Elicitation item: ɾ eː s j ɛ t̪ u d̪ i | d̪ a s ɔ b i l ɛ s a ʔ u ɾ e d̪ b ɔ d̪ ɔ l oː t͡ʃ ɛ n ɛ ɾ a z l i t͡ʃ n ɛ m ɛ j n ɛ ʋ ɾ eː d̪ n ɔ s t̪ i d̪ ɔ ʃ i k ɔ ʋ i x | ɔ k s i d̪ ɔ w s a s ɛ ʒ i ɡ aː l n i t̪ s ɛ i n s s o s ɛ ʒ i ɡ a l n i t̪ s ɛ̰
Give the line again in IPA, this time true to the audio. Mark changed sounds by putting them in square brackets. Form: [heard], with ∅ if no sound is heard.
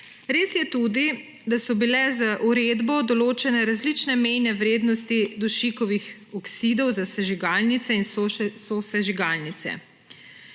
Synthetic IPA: ɾ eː s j ɛ t̪ u d̪ i | d̪ a s ɔ b i l ɛ [z] a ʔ u ɾ e d̪ b ɔ d̪ ɔ l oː t͡ʃ ɛ n ɛ ɾ a z l i t͡ʃ n ɛ m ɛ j n ɛ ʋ ɾ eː d̪ n ɔ s t̪ i d̪ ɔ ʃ i k ɔ ʋ i x | ɔ k s i d̪ ɔ w [z] a s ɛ ʒ i ɡ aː l n i t̪ s ɛ i n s s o s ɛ ʒ i ɡ a l n i t̪ s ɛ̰